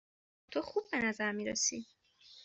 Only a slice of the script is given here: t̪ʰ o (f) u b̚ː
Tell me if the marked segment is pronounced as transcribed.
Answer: no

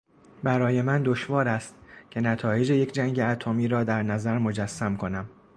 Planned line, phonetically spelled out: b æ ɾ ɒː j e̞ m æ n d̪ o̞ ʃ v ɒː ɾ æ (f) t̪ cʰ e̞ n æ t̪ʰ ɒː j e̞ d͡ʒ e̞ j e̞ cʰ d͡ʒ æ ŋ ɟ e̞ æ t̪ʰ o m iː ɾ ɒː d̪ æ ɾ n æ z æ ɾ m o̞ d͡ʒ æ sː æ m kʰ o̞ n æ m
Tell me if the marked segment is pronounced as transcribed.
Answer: no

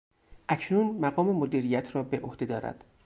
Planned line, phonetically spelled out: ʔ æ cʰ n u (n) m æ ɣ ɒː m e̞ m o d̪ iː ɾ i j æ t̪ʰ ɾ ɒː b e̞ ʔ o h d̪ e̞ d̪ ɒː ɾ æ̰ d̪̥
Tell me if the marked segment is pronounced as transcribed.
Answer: yes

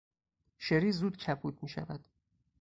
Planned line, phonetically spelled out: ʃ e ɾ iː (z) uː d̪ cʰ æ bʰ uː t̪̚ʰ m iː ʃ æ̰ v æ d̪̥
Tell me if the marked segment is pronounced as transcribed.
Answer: yes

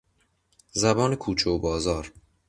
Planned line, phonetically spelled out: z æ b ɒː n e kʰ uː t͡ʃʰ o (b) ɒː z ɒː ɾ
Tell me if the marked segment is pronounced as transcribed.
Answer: yes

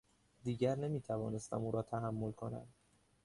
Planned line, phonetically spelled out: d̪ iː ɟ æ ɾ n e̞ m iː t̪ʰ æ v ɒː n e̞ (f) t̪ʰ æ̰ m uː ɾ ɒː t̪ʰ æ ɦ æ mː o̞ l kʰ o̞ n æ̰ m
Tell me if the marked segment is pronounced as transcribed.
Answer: no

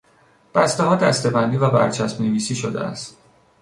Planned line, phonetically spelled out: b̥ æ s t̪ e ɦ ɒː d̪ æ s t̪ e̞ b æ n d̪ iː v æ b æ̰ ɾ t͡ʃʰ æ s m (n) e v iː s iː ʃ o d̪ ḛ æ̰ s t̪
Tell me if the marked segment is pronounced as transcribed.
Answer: yes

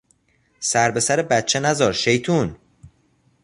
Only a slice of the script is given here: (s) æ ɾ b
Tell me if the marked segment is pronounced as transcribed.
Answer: yes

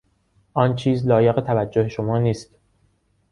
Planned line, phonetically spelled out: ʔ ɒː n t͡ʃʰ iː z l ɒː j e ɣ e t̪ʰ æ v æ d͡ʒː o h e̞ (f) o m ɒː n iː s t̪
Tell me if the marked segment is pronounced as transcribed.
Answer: no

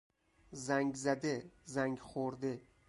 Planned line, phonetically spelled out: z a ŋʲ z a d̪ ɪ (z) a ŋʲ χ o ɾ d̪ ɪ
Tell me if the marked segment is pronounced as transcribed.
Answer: yes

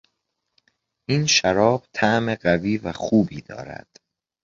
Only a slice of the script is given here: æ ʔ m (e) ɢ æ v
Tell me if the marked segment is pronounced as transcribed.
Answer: yes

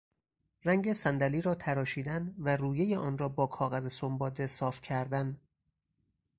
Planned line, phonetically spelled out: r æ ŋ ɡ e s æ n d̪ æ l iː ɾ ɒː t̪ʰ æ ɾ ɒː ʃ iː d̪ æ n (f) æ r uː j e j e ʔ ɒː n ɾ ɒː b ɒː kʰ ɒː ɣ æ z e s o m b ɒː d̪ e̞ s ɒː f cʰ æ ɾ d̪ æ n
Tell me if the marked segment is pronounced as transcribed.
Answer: no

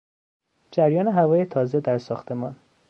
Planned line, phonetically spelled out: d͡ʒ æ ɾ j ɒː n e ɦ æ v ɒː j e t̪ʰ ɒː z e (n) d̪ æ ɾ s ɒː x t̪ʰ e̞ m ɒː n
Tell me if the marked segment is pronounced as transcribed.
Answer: no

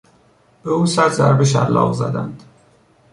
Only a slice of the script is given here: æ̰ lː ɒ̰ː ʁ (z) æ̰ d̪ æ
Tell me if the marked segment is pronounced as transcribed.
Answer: yes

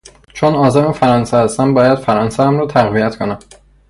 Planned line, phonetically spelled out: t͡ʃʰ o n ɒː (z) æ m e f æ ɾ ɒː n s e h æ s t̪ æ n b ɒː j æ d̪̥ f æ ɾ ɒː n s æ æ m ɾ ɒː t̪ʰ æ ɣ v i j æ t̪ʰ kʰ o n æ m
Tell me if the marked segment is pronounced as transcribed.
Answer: yes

